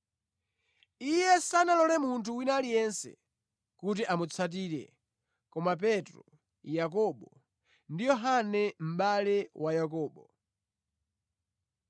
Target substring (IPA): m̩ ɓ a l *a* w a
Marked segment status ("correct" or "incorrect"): incorrect